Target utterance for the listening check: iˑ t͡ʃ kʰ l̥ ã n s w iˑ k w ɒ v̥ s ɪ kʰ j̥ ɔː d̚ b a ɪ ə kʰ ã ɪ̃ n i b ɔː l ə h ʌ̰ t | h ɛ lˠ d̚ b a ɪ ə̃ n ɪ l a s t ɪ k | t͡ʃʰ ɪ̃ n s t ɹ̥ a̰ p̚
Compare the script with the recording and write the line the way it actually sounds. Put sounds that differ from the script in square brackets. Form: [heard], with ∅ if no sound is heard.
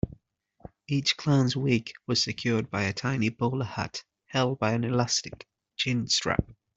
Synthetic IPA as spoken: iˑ t͡ʃ kʰ l̥ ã n [z] w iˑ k w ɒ [z̥] s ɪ kʰ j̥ ɔː d̚ b a ɪ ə [tʰ] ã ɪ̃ n i b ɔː l ə h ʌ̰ t | h ɛ lˠ d̚ b a ɪ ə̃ n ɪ l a s t ɪ k | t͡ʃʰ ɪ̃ n s t ɹ̥ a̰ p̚

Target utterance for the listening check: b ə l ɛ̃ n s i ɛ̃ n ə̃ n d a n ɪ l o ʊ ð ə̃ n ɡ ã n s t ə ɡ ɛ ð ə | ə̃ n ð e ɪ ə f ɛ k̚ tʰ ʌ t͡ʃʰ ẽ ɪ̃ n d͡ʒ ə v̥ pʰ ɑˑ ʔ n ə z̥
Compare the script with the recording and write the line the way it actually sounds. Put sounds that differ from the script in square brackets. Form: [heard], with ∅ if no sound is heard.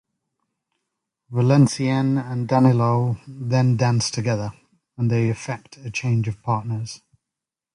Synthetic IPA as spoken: [v] ə l ɛ̃ n s i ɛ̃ n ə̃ n d a n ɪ l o ʊ ð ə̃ n [d] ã n s [tʰ] ə ɡ ɛ ð ə | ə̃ n ð e ɪ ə f ɛ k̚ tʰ [ə] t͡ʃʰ ẽ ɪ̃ n d͡ʒ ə v̥ pʰ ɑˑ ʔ n ə z̥

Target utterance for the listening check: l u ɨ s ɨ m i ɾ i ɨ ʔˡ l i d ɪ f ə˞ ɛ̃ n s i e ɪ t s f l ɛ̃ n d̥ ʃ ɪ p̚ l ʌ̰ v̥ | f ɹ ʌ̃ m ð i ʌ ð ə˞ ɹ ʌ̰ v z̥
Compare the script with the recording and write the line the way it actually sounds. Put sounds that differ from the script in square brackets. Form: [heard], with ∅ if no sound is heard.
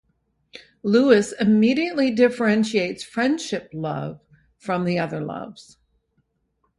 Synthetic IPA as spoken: l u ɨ s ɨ m i ɾ i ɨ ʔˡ l i d ɪ f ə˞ ɛ̃ n [ʃ] i e ɪ t s f [ɹ] ɛ̃ n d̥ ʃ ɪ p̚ l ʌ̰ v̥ | f ɹ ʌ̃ m ð i ʌ ð ə˞ [l] ʌ̰ v z̥

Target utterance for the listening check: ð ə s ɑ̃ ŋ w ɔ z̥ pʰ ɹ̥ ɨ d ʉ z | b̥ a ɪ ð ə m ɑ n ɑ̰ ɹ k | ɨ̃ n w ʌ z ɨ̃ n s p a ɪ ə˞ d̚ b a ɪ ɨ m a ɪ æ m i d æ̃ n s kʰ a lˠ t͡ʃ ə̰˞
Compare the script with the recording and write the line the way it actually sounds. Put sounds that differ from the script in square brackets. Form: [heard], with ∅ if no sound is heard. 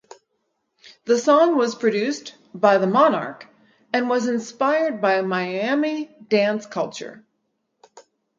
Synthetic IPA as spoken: ð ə s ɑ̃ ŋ w [ʌ] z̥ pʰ ɹ̥ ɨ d ʉ [s] | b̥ a ɪ ð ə m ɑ n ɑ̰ ɹ k | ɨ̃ n w ʌ z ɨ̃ n s p a ɪ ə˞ d̚ b a ɪ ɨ m a ɪ æ m i d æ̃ n s kʰ [ʌ] lˠ t͡ʃ ə̰˞

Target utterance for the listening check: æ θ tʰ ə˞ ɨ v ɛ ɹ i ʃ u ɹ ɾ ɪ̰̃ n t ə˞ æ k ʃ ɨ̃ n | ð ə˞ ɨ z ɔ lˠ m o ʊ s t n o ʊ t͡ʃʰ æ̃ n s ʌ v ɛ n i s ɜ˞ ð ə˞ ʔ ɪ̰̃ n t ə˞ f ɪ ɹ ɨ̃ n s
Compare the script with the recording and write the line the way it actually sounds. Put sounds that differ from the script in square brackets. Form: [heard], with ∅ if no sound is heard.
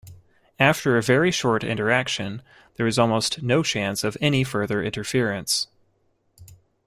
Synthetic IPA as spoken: æ [f] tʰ ə˞ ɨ v ɛ ɹ i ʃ [ɔ] ɹ ɾ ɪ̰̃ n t ə˞ æ k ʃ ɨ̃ n | ð ə˞ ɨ z ɔ lˠ m o ʊ s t n o ʊ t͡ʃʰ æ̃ n s ʌ v ɛ n i [f] ɜ˞ ð ə˞ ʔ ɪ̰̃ n t ə˞ f ɪ ɹ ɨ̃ n s

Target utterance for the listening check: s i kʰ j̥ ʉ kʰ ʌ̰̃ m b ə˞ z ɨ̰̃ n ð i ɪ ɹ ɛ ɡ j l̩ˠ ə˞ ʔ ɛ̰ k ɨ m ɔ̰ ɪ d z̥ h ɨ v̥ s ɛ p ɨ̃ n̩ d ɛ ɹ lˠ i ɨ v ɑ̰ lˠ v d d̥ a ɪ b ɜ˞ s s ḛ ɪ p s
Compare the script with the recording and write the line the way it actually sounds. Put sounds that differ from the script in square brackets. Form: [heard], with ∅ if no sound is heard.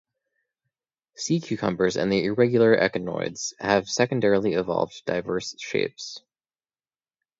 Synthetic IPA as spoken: s i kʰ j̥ ʉ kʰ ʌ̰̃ m b ə˞ z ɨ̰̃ n ð i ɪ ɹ ɛ ɡ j l̩ˠ ə˞ ʔ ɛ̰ k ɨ [n] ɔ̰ ɪ d z̥ h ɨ v̥ s ɛ [k] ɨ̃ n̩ d ɛ ɹ lˠ i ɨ v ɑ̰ lˠ v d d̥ a ɪ [v] ɜ˞ s [ʃ] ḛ ɪ p s

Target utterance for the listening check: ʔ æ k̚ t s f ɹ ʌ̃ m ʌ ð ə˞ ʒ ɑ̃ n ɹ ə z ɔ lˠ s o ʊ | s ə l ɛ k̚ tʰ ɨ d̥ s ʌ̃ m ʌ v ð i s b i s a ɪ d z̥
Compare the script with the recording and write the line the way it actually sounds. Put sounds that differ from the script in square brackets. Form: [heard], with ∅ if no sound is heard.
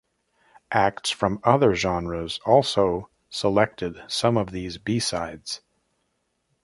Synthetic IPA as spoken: ʔ æ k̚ t s f ɹ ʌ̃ m ʌ ð ə˞ ʒ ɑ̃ n ɹ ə z ɔ lˠ s o ʊ | s ə l ɛ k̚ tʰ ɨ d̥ s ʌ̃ m ʌ v ð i [z] b i s a ɪ d z̥

